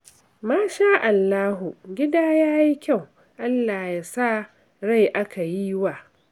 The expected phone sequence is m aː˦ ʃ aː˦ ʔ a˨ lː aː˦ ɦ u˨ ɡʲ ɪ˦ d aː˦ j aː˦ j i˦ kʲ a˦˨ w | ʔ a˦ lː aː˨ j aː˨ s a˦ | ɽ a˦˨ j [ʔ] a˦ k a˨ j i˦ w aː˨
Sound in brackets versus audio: correct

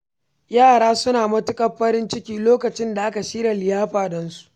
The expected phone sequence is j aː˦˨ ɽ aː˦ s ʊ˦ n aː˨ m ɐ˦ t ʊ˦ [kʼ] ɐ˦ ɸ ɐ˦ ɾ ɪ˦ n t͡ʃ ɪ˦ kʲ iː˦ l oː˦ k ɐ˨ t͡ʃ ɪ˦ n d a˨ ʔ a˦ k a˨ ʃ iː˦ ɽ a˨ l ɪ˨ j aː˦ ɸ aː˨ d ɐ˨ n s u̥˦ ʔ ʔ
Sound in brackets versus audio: correct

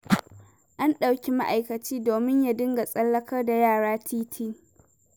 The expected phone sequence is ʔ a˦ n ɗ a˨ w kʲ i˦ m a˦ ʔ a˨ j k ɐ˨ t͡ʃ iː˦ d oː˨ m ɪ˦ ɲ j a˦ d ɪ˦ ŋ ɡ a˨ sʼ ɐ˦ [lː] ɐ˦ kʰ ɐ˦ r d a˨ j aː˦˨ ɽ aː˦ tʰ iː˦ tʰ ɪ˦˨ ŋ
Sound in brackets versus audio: correct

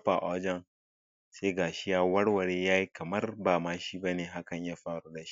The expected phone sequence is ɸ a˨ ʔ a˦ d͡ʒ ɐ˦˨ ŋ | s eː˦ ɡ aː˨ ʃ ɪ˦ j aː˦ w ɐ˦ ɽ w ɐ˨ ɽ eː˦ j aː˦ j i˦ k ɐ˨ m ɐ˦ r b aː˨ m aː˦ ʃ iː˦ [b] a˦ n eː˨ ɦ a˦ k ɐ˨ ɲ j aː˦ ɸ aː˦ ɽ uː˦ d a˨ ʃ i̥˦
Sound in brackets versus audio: correct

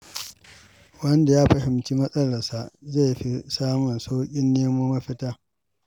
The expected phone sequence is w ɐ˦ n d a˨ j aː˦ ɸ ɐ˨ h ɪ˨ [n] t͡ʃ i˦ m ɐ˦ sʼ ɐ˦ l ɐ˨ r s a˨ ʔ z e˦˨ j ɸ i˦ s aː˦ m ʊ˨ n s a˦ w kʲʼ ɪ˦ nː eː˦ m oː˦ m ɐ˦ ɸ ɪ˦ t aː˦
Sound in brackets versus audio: incorrect: m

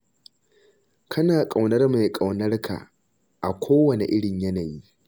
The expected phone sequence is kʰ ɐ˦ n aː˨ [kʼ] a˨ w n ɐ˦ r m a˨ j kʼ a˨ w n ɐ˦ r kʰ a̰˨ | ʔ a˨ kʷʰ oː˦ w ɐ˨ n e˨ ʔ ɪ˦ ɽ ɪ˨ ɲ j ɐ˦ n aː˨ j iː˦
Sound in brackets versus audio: correct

